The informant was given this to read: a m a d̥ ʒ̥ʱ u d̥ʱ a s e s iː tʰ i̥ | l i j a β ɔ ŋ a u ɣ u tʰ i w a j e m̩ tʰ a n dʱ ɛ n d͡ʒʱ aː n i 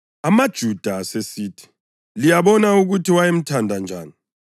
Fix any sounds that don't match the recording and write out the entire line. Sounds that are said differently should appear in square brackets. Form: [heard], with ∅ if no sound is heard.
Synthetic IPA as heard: a m a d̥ ʒ̥ʱ u d̥ʱ a s e s iː tʰ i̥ | l i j a β ɔ [n] a u ɣ u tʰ i w a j e m̩ tʰ a n dʱ [a] n d͡ʒʱ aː n i